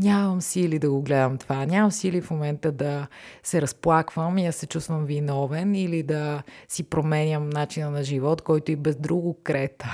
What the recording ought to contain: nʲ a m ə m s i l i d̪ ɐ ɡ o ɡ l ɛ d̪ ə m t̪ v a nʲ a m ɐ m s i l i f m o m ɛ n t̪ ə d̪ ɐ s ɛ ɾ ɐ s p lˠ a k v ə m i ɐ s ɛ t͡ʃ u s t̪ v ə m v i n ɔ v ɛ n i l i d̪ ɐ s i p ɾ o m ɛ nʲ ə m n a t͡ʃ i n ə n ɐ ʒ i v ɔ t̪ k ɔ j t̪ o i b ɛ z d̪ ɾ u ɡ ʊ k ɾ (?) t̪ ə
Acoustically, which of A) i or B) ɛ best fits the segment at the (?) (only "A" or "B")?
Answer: B